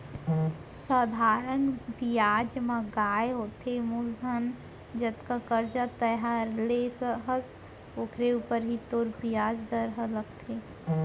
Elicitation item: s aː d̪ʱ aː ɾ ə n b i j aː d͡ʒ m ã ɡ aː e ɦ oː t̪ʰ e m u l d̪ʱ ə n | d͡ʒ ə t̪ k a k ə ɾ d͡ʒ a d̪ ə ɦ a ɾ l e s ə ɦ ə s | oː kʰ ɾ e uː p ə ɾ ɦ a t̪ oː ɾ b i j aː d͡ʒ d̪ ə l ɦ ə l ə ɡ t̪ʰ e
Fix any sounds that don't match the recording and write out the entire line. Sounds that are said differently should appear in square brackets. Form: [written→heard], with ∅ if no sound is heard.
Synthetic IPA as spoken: s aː d̪ʱ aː ɾ ə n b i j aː d͡ʒ m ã ɡ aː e ɦ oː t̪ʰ e m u l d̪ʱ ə n | d͡ʒ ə t̪ k a k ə ɾ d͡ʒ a [d̪→t̪] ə ɦ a ɾ l e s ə ɦ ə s | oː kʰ ɾ e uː p ə ɾ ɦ [a→i] t̪ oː ɾ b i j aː d͡ʒ d̪ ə [l→ɾ] ɦ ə l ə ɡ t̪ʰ e